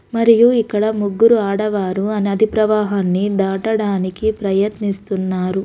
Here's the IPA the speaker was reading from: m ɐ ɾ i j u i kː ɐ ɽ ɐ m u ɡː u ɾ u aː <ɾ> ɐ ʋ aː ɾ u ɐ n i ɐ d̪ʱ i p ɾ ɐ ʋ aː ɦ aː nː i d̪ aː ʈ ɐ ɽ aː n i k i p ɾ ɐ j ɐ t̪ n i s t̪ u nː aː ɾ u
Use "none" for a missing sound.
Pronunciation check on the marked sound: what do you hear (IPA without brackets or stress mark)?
ɽ